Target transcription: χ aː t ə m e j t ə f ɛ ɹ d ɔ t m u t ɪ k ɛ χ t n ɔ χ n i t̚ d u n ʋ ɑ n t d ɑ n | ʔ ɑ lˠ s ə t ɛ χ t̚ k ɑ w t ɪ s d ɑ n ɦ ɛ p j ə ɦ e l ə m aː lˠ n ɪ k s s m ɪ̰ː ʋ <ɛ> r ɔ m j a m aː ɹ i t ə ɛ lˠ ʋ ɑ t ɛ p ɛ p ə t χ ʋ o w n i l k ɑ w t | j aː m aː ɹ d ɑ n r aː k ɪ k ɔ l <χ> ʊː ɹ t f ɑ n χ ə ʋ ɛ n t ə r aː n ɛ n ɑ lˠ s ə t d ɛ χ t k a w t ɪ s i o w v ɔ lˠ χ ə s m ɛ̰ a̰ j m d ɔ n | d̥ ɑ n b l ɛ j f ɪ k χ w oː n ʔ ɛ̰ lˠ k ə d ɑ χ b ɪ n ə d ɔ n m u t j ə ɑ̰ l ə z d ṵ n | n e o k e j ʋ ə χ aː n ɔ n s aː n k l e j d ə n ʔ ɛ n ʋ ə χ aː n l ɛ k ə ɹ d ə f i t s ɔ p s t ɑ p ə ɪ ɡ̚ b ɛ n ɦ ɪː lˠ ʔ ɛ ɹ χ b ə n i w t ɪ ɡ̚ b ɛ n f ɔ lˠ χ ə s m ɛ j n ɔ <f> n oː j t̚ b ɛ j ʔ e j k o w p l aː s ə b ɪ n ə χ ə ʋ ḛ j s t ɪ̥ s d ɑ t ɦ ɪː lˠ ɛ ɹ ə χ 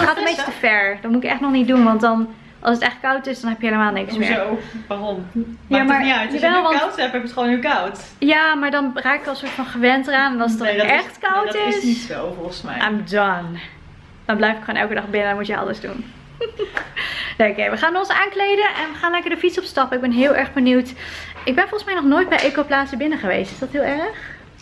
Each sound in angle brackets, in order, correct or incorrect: incorrect: a, incorrect: s, incorrect: χ

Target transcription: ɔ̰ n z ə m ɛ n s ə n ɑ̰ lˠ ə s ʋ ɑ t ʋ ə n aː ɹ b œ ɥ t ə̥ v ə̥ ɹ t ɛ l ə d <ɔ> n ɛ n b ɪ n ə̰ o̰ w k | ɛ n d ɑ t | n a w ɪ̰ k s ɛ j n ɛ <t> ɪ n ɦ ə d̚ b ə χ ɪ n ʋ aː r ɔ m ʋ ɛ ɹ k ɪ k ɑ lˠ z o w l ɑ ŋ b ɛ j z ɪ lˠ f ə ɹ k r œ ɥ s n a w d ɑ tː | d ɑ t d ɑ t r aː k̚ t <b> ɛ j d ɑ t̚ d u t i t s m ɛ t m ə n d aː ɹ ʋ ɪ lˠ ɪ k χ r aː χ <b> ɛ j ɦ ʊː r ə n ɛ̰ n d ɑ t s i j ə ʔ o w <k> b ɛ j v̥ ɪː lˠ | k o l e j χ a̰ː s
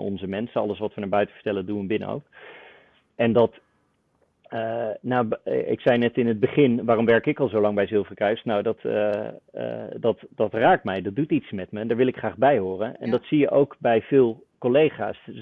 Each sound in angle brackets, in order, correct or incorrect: incorrect: u, correct, incorrect: m, correct, correct

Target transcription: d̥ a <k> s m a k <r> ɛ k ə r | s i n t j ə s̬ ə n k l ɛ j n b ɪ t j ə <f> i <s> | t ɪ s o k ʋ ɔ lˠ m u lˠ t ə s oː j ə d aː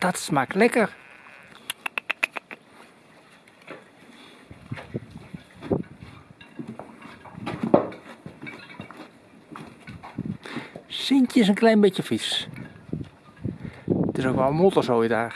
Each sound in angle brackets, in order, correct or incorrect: incorrect: t, incorrect: l, correct, correct

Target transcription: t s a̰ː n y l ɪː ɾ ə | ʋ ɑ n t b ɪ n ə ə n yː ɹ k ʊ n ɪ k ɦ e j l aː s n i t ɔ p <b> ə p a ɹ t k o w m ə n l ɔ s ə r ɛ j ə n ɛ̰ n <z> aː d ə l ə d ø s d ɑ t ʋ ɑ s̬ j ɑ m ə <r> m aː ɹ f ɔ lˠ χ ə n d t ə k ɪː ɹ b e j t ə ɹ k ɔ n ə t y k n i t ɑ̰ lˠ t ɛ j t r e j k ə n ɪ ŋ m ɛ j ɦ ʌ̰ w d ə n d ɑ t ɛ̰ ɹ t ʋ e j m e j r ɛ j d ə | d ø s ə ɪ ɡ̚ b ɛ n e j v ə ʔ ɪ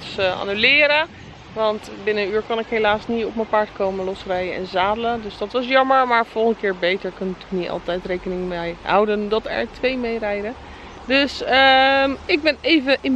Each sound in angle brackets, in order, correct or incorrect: incorrect: m, correct, incorrect: ɹ

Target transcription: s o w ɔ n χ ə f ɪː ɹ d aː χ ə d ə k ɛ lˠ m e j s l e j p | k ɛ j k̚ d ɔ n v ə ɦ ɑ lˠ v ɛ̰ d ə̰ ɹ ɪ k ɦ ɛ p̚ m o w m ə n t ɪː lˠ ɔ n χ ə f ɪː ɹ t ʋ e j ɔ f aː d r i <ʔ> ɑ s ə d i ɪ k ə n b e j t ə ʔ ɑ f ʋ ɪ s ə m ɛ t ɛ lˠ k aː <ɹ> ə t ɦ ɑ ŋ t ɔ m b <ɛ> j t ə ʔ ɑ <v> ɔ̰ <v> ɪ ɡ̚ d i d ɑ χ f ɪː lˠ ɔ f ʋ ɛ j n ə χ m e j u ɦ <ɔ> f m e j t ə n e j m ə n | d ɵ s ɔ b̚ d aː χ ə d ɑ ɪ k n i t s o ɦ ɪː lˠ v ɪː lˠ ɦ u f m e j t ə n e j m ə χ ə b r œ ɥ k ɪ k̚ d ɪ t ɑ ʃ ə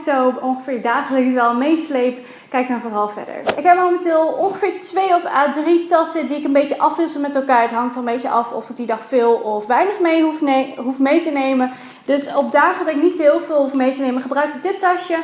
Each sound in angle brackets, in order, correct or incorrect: incorrect: t, correct, incorrect: e, incorrect: f, incorrect: f, incorrect: u

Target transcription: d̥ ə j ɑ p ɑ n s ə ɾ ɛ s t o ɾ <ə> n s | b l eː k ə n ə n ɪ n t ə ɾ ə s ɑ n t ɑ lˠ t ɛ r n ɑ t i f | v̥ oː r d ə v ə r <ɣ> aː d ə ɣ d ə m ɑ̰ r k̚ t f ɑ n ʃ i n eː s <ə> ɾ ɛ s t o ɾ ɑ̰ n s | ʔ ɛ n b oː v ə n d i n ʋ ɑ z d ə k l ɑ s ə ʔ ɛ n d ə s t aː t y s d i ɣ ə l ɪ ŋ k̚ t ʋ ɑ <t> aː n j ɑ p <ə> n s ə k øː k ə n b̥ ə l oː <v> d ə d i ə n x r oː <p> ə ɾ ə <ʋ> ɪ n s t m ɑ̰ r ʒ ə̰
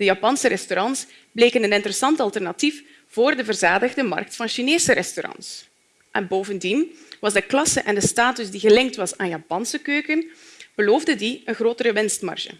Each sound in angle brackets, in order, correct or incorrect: incorrect: ɑ, incorrect: z, correct, incorrect: s, incorrect: ɑ, correct, incorrect: t, correct

